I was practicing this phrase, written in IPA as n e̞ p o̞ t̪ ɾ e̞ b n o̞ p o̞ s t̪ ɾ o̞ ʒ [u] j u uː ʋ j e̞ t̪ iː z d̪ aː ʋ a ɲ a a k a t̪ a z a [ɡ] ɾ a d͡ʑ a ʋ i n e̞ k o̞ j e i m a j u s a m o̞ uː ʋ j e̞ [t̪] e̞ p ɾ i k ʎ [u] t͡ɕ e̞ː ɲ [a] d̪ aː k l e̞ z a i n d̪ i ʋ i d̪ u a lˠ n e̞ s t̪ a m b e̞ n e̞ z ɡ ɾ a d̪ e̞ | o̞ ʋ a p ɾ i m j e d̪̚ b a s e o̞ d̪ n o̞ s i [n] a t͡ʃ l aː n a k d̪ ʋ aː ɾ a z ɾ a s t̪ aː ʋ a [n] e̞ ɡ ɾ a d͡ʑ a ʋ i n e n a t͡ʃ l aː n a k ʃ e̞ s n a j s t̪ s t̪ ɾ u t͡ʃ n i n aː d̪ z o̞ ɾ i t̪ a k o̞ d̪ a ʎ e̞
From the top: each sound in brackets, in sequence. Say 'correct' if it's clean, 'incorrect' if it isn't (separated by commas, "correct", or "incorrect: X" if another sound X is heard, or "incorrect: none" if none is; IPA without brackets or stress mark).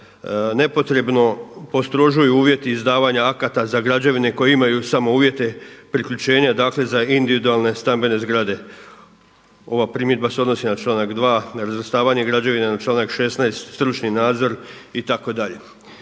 correct, correct, correct, correct, correct, correct, incorrect: ɲ